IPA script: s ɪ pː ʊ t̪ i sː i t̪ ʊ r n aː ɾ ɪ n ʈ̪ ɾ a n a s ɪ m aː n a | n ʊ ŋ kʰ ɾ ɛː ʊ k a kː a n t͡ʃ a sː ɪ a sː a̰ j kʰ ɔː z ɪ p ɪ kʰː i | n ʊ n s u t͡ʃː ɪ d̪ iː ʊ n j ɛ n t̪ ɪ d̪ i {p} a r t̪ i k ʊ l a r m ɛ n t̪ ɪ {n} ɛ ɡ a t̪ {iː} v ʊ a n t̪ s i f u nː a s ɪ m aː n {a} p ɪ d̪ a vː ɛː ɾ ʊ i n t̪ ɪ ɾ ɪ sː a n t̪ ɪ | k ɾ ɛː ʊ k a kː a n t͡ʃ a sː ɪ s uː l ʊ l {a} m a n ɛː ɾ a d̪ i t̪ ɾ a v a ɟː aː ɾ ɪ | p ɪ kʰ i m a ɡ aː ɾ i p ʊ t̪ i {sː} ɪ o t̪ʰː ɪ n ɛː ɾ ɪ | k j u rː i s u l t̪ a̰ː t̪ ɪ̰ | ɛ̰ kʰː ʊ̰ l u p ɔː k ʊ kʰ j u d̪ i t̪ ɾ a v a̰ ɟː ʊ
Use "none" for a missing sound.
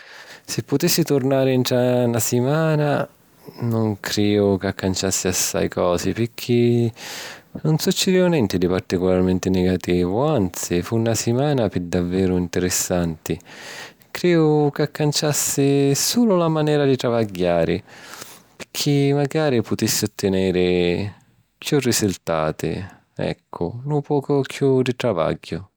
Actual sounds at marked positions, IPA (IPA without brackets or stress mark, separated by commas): p, n, iː, a, a, sː